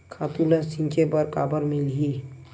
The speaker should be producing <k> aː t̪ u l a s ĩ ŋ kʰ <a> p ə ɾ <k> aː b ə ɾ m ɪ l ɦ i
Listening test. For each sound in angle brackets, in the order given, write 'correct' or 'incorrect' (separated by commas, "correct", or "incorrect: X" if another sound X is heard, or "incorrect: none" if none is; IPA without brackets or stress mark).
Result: incorrect: kʰ, incorrect: e, correct